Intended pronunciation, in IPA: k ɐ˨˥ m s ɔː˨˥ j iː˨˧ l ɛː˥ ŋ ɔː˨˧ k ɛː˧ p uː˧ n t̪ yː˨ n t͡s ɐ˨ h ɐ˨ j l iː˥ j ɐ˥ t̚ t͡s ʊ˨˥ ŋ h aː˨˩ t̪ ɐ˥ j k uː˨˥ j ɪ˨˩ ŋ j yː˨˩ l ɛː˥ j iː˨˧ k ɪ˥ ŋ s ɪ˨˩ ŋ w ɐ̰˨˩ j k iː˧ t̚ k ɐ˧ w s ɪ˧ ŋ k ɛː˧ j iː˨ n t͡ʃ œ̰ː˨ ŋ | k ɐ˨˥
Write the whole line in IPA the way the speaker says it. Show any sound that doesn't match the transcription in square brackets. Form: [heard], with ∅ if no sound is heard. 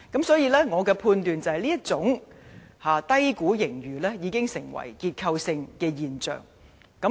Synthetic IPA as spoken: k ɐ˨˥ m s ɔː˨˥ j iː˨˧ l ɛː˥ ŋ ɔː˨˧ k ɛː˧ [pʰ] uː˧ n t̪ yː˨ n t͡s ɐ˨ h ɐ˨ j l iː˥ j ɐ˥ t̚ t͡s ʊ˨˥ ŋ h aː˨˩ t̪ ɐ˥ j k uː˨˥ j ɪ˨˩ ŋ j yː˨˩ l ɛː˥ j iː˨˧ k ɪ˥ ŋ s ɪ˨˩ ŋ w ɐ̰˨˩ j k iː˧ t̚ [kʰ] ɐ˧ w s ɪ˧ ŋ k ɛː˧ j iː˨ n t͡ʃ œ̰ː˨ ŋ | k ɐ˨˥